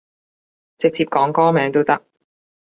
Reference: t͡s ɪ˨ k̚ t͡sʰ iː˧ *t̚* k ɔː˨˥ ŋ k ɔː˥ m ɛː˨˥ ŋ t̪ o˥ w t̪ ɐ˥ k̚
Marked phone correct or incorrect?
incorrect